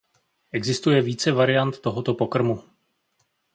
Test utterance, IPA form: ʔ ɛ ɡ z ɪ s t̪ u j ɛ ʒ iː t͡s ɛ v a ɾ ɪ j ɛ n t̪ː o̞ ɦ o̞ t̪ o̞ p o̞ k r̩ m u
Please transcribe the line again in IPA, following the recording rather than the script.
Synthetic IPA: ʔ ɛ ɡ z ɪ s t̪ u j ɛ v iː t͡s ɛ v a ɾ ɪ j a n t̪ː o̞ ɦ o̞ t̪ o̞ p o̞ k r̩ m u